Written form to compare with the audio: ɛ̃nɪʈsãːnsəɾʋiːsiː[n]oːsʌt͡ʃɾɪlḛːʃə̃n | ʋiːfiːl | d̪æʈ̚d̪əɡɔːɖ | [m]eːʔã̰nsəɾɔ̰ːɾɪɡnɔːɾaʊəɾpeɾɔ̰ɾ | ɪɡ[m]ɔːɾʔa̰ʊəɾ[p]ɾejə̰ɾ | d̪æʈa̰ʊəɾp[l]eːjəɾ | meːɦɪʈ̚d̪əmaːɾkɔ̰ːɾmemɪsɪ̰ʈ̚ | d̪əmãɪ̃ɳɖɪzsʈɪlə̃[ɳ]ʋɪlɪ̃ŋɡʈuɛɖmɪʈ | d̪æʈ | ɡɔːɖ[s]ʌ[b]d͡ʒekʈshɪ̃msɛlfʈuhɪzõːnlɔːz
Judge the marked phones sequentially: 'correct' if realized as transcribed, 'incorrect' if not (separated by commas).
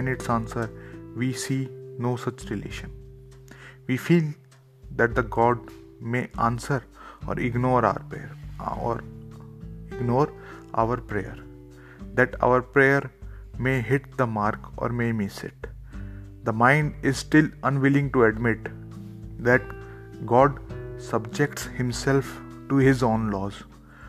correct, correct, incorrect, correct, incorrect, incorrect, correct, correct